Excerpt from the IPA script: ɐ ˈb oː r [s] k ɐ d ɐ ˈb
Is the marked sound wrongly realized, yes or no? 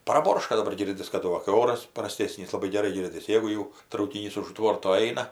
yes